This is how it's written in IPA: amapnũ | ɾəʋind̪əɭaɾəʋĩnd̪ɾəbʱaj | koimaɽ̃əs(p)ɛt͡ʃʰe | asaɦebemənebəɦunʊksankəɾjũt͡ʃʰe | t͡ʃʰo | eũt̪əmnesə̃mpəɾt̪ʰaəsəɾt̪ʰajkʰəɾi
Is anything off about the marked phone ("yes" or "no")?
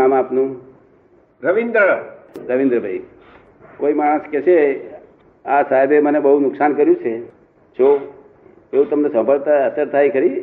yes